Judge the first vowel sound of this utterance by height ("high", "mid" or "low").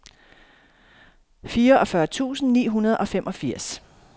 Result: high